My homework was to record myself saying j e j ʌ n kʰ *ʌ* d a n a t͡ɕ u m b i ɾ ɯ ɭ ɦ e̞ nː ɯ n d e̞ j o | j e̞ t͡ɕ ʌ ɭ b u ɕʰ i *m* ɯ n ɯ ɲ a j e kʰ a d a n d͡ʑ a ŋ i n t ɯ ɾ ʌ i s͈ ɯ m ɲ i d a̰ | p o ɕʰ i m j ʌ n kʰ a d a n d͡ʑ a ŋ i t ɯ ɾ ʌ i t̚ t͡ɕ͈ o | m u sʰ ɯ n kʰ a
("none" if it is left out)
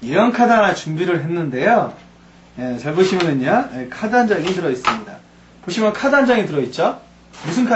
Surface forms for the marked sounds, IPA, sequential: a, m

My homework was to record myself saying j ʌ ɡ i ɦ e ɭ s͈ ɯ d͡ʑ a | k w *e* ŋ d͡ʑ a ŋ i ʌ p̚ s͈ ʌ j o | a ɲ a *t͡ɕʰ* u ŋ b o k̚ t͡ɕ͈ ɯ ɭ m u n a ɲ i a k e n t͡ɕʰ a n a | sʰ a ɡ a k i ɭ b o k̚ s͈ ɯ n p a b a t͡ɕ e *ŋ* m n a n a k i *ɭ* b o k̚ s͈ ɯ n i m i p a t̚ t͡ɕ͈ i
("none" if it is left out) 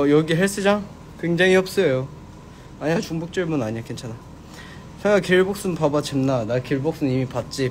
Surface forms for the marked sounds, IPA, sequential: e, t͡ɕ, none, ɭ

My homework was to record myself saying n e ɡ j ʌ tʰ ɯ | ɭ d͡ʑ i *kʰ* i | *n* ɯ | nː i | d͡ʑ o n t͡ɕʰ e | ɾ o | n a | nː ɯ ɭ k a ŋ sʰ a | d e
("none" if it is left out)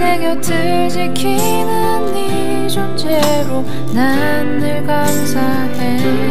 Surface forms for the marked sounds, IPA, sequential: kʰ, n

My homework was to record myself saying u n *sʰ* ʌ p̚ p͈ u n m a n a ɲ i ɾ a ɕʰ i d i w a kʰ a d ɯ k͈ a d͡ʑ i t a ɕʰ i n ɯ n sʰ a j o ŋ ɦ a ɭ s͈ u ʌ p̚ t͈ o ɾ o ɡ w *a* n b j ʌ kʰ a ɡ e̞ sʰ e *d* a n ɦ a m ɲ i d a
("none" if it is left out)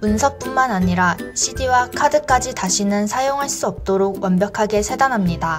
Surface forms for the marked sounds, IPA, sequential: sʰ, ʌ, d

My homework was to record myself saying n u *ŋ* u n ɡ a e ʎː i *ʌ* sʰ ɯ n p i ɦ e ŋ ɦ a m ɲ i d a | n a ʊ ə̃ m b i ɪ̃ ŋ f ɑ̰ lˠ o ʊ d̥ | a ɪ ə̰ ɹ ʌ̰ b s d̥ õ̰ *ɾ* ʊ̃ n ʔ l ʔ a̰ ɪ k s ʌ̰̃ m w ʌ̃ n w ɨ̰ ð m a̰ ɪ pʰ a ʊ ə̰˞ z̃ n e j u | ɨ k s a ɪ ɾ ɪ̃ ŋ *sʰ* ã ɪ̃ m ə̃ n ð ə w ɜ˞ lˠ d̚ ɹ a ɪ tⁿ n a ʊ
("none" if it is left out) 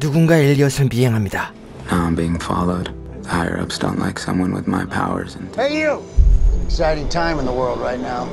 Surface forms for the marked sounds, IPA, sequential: ɡ, ʌ, none, tʰ

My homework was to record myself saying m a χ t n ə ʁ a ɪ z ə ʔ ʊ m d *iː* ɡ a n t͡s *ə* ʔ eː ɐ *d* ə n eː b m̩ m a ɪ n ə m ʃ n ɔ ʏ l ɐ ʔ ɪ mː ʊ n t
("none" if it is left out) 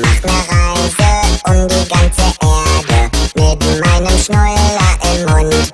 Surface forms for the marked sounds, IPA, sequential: iː, ə, d

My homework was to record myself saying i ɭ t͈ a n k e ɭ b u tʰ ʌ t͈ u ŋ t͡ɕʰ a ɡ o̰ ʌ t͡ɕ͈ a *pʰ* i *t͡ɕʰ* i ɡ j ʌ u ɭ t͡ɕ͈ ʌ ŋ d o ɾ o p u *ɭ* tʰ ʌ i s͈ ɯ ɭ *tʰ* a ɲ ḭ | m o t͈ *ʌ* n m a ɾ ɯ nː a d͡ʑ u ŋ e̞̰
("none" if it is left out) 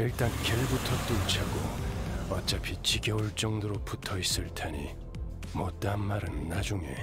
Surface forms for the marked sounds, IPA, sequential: pʰ, t͡ɕ, none, tʰ, a

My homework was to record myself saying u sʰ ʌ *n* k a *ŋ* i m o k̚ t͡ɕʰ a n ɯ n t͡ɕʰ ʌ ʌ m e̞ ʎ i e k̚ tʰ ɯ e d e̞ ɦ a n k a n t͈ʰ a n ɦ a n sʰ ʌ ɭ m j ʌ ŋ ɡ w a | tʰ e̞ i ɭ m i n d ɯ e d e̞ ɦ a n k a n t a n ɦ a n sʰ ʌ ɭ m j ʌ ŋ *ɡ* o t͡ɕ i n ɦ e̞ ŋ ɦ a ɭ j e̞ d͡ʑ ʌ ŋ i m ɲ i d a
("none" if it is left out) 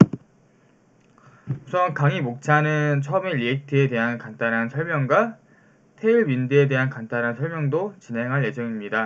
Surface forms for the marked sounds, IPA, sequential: n, ŋ, d

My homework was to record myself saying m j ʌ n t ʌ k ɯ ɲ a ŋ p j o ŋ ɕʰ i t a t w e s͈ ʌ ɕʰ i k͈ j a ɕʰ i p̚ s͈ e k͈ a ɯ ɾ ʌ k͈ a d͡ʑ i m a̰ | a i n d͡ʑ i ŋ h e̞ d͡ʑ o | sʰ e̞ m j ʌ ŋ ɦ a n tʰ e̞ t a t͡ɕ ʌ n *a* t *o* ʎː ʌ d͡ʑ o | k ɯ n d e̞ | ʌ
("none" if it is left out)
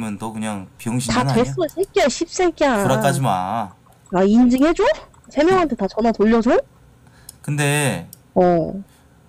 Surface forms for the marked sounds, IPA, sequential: a, o

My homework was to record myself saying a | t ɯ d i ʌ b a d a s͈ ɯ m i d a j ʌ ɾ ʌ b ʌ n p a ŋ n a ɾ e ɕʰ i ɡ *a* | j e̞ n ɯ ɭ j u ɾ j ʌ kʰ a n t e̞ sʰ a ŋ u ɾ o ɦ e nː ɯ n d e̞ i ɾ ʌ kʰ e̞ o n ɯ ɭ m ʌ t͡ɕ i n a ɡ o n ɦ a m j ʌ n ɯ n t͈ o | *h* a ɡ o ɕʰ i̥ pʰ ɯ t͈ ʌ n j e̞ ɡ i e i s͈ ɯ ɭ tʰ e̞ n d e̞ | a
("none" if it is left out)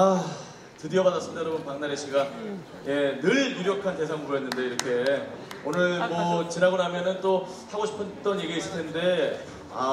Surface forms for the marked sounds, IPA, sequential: a, h

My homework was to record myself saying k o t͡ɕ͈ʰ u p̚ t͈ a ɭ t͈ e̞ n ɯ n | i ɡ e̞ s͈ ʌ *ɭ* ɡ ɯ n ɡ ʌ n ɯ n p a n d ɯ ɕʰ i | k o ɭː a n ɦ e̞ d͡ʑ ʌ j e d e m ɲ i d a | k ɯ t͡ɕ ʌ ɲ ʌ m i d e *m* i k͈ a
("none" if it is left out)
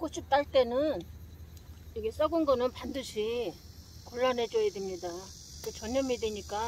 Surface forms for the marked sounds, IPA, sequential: none, ɲ

